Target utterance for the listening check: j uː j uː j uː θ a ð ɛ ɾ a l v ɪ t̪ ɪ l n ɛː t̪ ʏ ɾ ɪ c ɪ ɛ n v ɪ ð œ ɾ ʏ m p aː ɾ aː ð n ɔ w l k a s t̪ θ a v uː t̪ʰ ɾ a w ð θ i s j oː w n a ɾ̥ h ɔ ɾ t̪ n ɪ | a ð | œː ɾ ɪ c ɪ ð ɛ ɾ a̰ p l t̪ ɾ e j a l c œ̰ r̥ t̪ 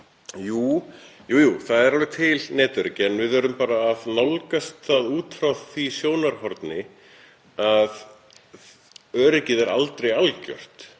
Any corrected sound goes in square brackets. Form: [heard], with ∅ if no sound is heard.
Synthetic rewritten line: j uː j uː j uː θ a ð ɛ ɾ a l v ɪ [t̪ʰ] ɪ l n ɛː t̪ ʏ ɾ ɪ c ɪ ɛ n v ɪ ð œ ɾ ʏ m p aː ɾ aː ð n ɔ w l k a s t̪ θ a [ð] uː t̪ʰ ɾ a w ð θ i s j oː w n a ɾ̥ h ɔ ɾ t̪ n ɪ | a ð | œː ɾ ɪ c ɪ ð ɛ ɾ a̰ [∅] l t̪ ɾ e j a l c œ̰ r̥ t̪